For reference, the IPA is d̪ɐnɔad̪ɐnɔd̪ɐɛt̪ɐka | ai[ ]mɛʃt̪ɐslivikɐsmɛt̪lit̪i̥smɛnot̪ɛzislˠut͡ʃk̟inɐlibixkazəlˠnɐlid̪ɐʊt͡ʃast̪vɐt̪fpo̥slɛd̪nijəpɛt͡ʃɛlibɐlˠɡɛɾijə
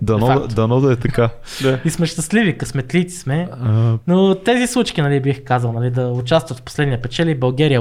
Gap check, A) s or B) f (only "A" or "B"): A